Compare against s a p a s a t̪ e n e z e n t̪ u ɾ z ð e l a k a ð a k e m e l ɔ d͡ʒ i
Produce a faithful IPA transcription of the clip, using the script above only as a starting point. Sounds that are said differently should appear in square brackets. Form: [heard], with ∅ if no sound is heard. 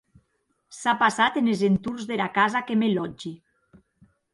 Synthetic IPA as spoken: s a p a s a t̪ e n e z e n t̪ u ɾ z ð e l a k a [z] a k e m e l ɔ d͡ʒ i